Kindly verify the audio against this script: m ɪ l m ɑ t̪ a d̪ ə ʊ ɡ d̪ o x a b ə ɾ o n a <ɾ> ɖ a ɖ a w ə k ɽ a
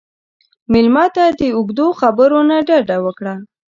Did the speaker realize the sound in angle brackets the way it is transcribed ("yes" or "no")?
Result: no